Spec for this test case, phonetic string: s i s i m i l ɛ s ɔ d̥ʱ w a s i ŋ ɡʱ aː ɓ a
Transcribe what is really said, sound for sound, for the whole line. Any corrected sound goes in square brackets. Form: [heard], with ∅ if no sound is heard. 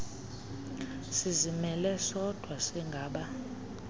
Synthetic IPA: s i [z] i m [ɛ] l ɛ s ɔ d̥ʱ w a s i ŋ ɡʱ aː ɓ a